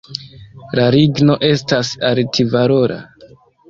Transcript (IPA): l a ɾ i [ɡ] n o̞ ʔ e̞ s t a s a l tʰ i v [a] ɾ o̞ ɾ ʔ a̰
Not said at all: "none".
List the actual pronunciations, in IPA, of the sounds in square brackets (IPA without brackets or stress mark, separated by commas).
ɡ, a